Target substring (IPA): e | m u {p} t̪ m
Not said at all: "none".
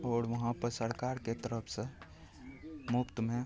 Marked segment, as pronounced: p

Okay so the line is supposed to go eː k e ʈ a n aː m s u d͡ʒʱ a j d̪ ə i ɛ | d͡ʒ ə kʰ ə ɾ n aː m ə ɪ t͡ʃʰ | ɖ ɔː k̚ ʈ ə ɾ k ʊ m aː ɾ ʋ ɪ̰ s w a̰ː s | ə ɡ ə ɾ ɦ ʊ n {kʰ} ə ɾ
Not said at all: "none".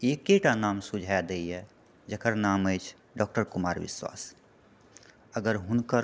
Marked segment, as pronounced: k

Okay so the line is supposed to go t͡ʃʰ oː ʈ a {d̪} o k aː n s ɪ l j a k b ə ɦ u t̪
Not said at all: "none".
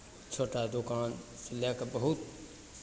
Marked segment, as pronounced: d̪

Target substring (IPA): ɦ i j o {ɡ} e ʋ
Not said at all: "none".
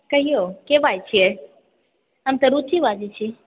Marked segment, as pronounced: k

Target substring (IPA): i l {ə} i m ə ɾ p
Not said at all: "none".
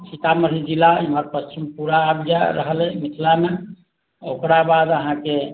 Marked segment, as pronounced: a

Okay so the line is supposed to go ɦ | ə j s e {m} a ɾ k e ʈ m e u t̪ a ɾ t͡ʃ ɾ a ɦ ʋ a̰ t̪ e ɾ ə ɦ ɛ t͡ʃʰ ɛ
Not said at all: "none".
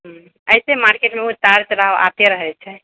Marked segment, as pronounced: m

